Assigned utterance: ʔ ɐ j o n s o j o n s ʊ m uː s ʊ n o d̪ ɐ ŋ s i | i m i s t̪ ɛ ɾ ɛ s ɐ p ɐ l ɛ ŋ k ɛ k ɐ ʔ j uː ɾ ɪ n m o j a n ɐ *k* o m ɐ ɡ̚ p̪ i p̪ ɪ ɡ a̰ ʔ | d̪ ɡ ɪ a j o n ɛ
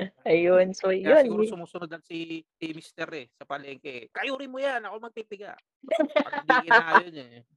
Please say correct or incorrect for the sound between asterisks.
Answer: correct